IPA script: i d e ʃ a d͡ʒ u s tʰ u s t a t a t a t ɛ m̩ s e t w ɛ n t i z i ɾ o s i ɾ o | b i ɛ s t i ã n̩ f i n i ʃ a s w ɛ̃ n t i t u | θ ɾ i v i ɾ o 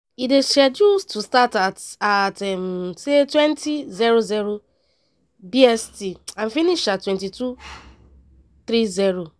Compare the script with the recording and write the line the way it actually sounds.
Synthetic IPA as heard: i d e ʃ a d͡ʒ u s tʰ u s t a t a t a t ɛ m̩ s e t w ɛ n t i z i ɾ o z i ɾ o | b i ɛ s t i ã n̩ f i n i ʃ a t w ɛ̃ n t i t u | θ ɾ i z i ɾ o